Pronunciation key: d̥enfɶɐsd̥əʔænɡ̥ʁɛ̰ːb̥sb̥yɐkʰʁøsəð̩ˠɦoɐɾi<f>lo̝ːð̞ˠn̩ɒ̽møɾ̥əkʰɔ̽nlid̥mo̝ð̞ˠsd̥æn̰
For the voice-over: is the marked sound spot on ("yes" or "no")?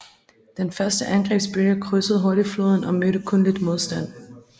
yes